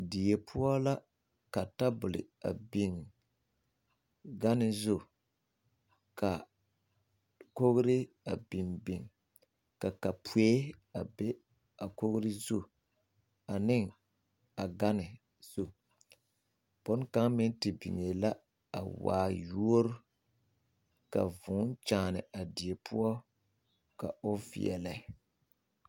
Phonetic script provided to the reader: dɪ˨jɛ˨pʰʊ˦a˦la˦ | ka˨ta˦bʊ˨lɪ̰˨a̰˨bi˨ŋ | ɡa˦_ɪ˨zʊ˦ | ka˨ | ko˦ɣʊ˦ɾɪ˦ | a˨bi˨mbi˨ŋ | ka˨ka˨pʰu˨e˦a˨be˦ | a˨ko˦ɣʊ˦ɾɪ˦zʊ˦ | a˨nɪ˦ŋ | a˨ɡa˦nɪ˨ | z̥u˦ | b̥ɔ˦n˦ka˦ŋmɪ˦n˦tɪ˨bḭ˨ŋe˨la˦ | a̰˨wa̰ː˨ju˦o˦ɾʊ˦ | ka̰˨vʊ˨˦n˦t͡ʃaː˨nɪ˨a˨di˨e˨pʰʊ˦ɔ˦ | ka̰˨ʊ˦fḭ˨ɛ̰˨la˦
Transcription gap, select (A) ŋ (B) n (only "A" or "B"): B